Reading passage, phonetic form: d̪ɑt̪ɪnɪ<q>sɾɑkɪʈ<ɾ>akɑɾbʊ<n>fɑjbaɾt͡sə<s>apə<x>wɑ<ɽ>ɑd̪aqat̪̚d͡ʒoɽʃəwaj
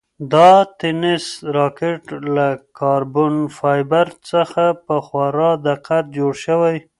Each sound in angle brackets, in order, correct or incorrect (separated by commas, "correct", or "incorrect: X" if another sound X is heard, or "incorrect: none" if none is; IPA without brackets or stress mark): incorrect: none, incorrect: l, correct, incorrect: x, correct, incorrect: ɾ